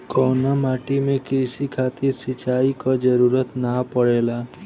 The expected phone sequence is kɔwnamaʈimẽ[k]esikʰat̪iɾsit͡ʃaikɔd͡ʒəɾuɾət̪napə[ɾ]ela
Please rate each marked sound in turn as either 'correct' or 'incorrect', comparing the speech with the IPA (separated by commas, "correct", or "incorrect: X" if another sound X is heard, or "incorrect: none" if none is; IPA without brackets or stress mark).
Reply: correct, incorrect: ɽ